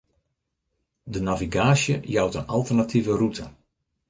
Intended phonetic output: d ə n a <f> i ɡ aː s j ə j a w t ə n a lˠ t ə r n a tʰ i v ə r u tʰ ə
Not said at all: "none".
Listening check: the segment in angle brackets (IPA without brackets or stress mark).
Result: v